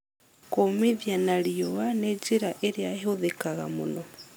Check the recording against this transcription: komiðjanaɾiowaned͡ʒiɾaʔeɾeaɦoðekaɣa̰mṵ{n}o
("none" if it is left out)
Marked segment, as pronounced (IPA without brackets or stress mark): n